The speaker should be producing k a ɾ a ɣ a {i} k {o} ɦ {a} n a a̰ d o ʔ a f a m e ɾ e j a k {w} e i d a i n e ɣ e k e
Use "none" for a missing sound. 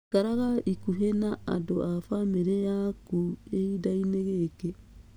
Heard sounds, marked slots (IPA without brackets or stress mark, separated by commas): i, u, e, u